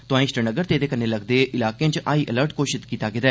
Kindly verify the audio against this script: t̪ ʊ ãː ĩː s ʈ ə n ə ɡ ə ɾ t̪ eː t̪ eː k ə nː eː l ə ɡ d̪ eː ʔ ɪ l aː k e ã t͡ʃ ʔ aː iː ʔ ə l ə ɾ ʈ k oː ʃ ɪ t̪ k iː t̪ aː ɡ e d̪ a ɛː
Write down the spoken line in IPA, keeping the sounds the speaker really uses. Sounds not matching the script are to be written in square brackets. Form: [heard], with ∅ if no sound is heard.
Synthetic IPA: t̪ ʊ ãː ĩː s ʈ ə n ə ɡ ə ɾ t̪ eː [d̪] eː k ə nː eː l ə ɡ d̪ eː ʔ ɪ l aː k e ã t͡ʃ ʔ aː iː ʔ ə l ə ɾ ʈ k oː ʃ ɪ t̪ k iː t̪ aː ɡ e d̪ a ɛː